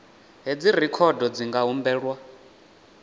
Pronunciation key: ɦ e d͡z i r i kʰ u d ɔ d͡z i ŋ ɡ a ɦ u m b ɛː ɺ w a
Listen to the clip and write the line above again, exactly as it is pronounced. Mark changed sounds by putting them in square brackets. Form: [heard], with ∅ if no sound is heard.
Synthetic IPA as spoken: ɦ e d͡z i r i kʰ [ɔ] d ɔ d͡z i ŋ ɡ a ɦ u m b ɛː ɺ w a